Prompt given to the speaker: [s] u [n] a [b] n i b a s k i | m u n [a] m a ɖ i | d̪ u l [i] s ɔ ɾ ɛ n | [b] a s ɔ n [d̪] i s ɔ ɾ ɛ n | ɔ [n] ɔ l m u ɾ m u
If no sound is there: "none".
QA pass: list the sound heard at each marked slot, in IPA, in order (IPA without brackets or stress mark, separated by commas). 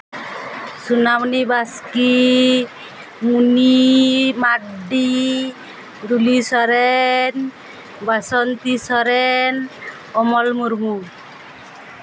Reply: s, n, m, i, i, b, t̪, m